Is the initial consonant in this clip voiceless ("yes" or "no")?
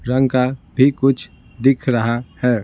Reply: no